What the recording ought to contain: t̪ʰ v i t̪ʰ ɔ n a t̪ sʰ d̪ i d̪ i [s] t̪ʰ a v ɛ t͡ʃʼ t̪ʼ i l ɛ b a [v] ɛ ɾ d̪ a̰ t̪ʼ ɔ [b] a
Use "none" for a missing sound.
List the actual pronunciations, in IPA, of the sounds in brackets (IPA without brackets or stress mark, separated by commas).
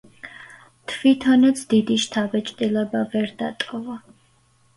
ʃ, v, v